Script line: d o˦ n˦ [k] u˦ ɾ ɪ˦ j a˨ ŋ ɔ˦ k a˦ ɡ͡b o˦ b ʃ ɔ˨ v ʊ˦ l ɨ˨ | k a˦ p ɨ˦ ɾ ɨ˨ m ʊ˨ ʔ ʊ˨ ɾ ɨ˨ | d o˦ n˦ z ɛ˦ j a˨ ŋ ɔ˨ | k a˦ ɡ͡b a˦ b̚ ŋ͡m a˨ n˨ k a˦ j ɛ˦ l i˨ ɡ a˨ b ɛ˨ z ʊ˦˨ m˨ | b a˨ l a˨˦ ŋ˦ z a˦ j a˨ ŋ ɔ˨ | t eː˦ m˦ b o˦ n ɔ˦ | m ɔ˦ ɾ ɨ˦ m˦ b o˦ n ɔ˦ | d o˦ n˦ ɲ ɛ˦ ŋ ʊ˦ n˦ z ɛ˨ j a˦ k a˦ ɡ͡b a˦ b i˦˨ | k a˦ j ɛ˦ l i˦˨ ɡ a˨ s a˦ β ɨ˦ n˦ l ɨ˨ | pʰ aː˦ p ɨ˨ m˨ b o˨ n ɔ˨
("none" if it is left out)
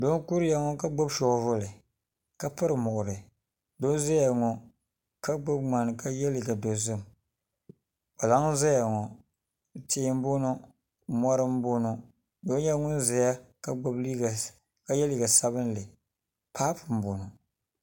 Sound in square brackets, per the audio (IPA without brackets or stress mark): k